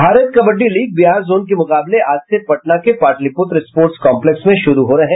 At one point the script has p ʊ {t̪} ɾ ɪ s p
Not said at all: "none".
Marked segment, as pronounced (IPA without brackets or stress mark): t̪